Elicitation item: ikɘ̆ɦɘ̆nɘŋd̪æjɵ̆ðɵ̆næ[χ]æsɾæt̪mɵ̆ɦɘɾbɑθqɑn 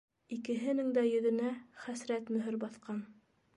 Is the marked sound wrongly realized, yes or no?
no